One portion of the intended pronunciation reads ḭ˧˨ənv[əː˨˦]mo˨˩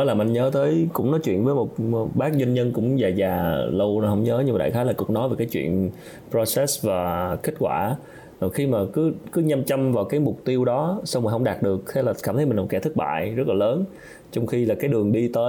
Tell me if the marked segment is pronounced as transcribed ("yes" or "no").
yes